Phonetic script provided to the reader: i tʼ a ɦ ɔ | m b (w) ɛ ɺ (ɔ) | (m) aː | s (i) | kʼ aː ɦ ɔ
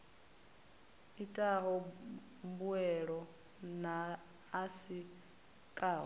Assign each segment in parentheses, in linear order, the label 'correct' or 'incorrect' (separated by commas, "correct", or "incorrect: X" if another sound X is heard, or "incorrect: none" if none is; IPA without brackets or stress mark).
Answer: incorrect: u, correct, incorrect: n, correct